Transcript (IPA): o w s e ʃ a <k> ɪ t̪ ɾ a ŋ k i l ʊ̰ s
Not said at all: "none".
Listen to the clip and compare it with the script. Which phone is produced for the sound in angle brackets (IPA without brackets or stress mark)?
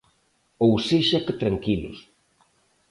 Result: k